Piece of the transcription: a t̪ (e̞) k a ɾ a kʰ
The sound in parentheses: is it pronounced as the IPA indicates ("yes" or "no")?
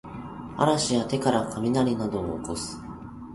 yes